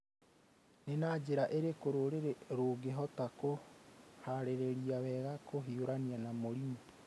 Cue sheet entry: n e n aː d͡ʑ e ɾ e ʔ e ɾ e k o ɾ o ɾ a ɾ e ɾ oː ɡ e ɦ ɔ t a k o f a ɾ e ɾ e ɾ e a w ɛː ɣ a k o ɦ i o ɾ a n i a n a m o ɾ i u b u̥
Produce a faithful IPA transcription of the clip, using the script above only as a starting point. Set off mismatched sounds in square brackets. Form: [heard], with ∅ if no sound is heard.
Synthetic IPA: n e n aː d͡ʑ e ɾ [a] ʔ e ɾ e k o ɾ o ɾ [e] ɾ e ɾ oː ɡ e ɦ ɔ t a k o [h] a ɾ e ɾ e ɾ [i] a w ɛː ɣ a k o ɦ i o ɾ a n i a n a m o ɾ i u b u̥